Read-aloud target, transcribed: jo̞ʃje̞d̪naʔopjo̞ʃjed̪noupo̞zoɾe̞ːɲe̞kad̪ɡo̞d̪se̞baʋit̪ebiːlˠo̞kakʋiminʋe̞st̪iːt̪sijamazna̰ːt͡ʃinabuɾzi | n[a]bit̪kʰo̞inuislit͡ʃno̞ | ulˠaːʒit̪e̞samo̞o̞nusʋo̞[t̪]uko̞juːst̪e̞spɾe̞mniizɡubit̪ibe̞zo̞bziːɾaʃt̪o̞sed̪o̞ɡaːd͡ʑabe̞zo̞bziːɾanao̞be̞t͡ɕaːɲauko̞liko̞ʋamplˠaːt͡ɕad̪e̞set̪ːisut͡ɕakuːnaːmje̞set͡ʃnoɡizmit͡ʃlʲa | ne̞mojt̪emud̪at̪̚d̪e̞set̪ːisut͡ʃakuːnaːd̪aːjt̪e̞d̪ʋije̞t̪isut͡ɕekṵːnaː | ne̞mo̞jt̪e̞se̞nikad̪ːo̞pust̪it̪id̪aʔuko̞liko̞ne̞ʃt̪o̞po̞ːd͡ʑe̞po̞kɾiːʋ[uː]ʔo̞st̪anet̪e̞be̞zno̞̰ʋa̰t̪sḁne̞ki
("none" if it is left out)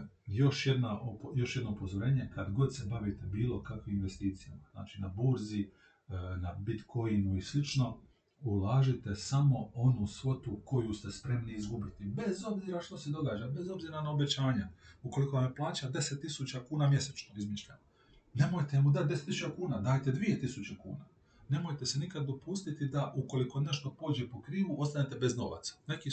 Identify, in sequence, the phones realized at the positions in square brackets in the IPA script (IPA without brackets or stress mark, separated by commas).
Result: a, t̪, u